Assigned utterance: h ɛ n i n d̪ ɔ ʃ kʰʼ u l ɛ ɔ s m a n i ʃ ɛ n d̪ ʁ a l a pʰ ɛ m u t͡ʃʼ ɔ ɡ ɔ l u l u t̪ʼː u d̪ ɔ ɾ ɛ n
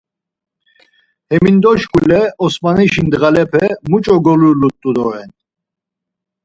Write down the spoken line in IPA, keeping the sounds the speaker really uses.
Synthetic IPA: h ɛ m i n d̪ ɔ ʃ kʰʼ u l ɛ ɔ s m a n i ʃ i n d̪ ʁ a l ɛ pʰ ɛ m u t͡ʃʼ ɔ ɡ ɔ l u l u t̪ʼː u d̪ ɔ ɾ ɛ n